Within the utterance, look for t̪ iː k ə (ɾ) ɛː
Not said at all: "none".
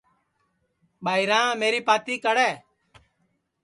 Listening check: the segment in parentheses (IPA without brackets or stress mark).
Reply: ɽ